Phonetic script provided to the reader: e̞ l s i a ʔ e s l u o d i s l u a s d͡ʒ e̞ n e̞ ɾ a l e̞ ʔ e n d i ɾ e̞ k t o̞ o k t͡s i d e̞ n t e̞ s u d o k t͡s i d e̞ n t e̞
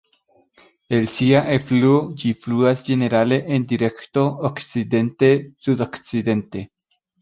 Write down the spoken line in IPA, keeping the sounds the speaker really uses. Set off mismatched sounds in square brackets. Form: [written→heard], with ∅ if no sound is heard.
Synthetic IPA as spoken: e̞ l s i a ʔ e [s→f] l u o [d→d͡ʒ] i [s→f] l u a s d͡ʒ e̞ n e̞ ɾ a l e̞ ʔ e n d i ɾ e̞ k t o̞ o k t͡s i d e̞ n t e̞ s u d o k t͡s i d e̞ n t e̞

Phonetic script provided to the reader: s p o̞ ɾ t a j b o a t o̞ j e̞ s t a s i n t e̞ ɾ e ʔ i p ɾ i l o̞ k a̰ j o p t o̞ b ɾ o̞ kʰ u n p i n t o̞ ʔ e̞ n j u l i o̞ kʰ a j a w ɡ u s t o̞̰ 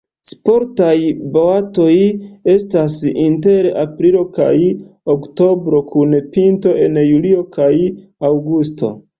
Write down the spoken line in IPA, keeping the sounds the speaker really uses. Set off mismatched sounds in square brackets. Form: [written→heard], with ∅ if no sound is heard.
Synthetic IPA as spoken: s p o̞ ɾ t a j b o a t o̞ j e̞ s t a s i n t e̞ ɾ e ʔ [i→a] p ɾ i l o̞ k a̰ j o [p→k] t o̞ b ɾ o̞ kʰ u n p i n t o̞ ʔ e̞ n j u l i o̞ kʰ a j a w ɡ u s t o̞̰

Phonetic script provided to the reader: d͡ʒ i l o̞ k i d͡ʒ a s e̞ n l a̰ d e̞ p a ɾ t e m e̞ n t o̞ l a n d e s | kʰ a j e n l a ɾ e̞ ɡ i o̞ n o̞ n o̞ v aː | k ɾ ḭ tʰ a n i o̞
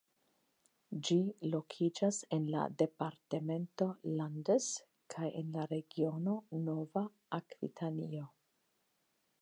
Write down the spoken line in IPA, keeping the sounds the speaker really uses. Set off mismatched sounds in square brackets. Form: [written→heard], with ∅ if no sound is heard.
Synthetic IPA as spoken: d͡ʒ i l o̞ [k→kʰ] i d͡ʒ a s e̞ n l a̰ d e̞ p a ɾ t e m e̞ n t o̞ l a n d e s | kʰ a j e n l a ɾ e̞ ɡ i o̞ n o̞ n o̞ v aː | k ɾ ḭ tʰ a n i o̞

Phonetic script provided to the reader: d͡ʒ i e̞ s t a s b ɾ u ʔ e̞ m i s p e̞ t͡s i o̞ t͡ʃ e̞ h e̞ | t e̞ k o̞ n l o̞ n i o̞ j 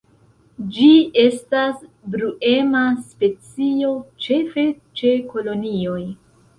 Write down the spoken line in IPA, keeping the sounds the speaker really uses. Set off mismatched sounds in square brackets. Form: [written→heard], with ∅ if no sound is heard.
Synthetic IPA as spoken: d͡ʒ i e̞ s t a s b ɾ u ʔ e̞ m [i→a] s p e̞ t͡s i o̞ t͡ʃ e̞ [h→f] e̞ | [t→t͡ʃ] e̞ k o̞ [n→∅] l o̞ n i o̞ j

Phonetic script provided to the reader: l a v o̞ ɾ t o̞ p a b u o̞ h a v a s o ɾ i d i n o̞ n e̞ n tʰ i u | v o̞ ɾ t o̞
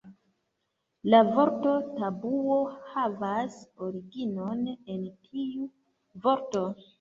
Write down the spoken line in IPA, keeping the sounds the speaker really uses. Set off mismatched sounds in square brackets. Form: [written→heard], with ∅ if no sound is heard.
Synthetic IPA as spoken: l a v o̞ ɾ t o̞ [p→t] a b u o̞ h a v a s o ɾ i [d→ɡ] i n o̞ n e̞ n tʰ i u | v o̞ ɾ t o̞

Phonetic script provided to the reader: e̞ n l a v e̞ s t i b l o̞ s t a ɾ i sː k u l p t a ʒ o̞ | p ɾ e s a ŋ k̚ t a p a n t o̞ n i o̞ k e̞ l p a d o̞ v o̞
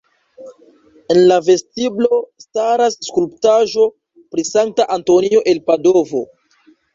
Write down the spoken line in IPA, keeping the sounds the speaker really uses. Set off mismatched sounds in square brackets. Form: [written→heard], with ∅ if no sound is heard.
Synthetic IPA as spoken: e̞ n l a v e̞ s t i b l o̞ s t a ɾ [i→a] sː k u l p t a ʒ o̞ | p ɾ [e→i] s a ŋ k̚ t a [p→ʔ] a n t o̞ n i o̞ [k→ʔ] e̞ l p a d o̞ v o̞

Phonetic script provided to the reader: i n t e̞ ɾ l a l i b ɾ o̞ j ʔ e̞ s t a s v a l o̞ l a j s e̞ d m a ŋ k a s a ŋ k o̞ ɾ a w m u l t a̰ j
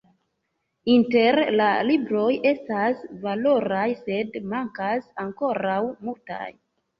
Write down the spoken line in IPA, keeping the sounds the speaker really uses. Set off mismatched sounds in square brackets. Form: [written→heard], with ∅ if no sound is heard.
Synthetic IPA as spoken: i n t e̞ ɾ l a l i b ɾ o̞ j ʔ e̞ s t a s v a l o̞ [l→ɾ] a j s e̞ d m a ŋ k a s a ŋ k o̞ ɾ a w m u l t a̰ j

